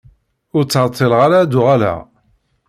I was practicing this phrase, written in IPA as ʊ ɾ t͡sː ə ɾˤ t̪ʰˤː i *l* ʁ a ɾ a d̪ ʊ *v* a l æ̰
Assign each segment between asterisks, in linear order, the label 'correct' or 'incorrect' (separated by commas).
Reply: correct, incorrect